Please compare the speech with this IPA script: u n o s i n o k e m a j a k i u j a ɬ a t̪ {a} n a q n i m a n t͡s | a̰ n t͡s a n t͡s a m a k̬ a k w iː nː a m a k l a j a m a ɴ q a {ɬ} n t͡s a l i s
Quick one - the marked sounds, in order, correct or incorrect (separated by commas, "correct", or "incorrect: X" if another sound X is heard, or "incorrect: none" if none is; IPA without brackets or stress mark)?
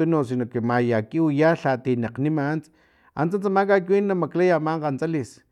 incorrect: i, incorrect: none